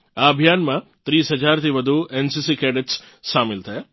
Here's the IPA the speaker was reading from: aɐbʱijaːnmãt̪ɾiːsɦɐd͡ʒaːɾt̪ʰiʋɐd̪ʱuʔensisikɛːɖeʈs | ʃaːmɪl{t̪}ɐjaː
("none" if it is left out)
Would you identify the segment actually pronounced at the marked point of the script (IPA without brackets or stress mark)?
t̪ʰ